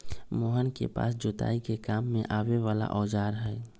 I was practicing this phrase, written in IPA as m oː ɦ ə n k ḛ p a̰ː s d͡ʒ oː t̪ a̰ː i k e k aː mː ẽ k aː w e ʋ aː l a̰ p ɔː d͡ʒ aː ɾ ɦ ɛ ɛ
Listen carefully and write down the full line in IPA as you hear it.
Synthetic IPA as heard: m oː ɦ ə n k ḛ p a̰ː s d͡ʒ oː t̪ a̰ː i k e k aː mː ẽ ʔ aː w e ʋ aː l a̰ ʔ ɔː d͡ʒ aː ɾ ɦ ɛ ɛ